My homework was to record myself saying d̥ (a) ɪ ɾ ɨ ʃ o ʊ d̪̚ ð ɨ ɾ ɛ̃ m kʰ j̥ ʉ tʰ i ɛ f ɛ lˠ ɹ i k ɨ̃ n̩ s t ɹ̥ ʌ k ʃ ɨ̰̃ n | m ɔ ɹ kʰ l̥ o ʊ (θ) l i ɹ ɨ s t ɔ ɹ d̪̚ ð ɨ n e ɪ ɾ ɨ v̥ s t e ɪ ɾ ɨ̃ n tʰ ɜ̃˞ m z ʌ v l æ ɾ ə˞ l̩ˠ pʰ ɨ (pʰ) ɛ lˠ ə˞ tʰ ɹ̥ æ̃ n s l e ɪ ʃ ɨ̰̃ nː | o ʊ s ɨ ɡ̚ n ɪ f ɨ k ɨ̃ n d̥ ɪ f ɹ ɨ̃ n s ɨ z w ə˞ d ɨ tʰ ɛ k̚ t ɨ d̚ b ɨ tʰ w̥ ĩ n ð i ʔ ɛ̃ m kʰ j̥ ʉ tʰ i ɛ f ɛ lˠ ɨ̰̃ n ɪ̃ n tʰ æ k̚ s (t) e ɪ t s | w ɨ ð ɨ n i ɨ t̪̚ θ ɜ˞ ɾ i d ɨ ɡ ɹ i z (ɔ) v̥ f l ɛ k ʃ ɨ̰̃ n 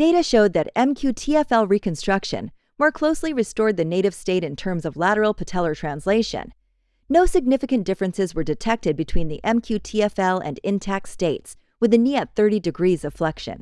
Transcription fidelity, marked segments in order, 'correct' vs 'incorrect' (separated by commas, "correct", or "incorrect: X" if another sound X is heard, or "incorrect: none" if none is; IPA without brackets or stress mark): incorrect: e, incorrect: s, incorrect: tʰ, correct, incorrect: ʌ